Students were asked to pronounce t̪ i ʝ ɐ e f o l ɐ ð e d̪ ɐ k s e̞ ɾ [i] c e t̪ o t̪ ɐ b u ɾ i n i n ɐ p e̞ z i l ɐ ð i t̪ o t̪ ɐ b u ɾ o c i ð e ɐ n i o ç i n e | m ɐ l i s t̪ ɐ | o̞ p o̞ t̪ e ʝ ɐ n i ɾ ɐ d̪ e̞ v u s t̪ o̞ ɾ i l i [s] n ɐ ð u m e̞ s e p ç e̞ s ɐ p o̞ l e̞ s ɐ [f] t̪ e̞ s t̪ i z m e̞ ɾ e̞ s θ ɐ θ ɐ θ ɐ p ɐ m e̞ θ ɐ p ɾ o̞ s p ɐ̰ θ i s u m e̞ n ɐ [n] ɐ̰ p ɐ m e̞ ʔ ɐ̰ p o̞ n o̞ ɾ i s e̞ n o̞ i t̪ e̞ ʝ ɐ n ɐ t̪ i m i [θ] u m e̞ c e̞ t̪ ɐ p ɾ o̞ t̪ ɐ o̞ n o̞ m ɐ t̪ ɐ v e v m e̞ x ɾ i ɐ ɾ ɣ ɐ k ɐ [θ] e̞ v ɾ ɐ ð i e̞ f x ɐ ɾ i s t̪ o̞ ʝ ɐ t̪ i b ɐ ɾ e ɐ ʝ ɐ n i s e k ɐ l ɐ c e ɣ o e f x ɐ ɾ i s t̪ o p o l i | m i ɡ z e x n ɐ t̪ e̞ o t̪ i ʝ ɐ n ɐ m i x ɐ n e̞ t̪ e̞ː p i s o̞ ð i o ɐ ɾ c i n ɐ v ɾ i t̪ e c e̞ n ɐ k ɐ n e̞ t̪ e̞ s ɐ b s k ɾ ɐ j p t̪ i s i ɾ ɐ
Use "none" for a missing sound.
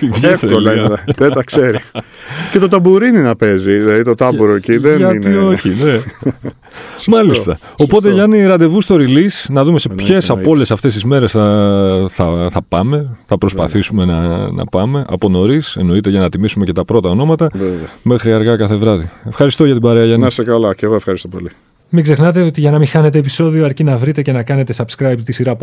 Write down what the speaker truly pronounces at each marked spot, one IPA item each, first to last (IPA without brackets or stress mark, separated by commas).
i, s, f, n, s, θ